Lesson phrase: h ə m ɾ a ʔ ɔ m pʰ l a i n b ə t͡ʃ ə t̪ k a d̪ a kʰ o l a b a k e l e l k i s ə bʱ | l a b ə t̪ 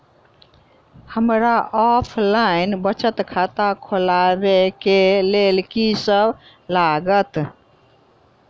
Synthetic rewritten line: h ə m ɾ a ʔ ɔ pʰ l a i n b ə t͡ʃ ə t̪ kʰ a t̪ a kʰ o l a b e k e l e l k i s ə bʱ | l a ɡ ə t̪